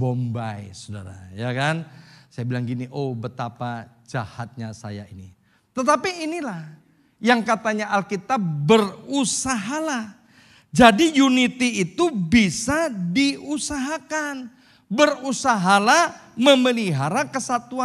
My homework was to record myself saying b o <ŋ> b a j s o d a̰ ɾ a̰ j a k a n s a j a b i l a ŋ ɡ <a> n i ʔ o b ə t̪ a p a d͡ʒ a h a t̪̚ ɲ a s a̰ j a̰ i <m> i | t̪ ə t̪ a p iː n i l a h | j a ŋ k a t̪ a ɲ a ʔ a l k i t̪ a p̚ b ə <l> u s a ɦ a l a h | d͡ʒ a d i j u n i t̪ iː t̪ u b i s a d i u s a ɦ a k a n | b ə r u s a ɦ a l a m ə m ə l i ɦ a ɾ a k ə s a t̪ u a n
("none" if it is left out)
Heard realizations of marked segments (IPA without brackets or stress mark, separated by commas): m, i, n, r